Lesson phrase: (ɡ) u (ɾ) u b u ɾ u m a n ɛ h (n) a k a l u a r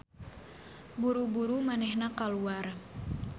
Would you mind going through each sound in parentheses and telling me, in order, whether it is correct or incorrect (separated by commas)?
incorrect, correct, correct